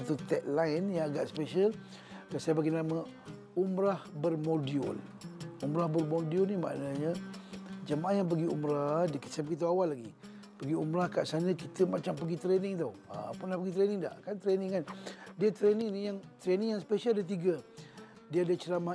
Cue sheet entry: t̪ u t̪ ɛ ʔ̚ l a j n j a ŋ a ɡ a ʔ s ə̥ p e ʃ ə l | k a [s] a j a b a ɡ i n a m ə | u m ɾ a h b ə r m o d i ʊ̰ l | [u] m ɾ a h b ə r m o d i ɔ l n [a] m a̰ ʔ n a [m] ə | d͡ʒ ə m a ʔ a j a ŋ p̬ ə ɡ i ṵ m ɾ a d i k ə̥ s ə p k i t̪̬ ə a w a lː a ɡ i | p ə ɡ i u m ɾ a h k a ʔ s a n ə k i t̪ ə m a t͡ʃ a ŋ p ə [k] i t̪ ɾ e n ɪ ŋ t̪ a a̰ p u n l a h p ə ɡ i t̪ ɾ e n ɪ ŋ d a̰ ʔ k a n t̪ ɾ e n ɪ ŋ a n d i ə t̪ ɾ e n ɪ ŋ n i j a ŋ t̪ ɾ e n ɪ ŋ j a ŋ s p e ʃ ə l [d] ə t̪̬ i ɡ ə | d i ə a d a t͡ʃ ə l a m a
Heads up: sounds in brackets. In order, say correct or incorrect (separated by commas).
correct, correct, incorrect, incorrect, incorrect, correct